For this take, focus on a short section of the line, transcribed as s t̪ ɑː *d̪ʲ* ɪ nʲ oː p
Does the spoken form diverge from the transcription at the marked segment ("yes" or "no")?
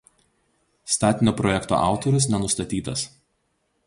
yes